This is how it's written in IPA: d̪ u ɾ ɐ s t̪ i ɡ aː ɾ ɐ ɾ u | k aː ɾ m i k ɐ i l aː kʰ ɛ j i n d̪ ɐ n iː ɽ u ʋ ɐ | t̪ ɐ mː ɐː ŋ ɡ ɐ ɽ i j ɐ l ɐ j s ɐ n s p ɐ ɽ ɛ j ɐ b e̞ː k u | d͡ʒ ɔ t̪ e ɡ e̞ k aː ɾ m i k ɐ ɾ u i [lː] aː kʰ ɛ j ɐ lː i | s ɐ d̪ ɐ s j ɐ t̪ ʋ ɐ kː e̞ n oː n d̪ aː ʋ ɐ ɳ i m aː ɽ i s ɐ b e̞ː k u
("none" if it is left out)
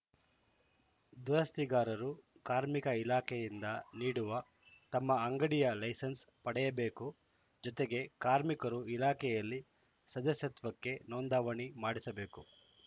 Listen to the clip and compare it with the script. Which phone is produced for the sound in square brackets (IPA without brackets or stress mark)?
l